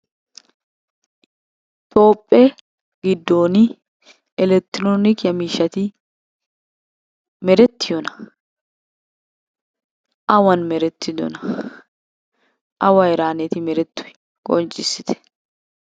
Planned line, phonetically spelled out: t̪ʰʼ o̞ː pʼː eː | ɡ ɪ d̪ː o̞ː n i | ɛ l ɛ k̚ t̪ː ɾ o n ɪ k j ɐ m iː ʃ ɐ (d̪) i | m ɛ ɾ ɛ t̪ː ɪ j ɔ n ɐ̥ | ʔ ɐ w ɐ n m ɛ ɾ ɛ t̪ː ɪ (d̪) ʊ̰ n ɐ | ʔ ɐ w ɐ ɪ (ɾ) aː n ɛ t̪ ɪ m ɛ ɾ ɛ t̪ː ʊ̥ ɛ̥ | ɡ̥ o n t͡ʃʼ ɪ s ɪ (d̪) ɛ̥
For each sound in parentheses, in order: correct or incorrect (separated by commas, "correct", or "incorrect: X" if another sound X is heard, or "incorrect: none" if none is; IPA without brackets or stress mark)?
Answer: incorrect: t̪, correct, correct, incorrect: t̪